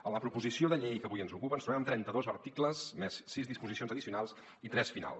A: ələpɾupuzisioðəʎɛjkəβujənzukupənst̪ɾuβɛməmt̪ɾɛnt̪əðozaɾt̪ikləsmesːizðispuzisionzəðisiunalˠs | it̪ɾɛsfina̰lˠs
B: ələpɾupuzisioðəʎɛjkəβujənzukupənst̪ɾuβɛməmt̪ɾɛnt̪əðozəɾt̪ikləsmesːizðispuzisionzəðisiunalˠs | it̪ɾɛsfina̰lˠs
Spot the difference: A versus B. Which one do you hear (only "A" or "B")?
B